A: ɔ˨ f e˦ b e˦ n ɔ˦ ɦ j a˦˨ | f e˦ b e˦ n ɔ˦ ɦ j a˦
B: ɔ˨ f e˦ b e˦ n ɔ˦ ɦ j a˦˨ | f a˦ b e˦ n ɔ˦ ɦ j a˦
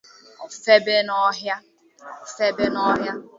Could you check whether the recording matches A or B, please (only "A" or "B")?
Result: A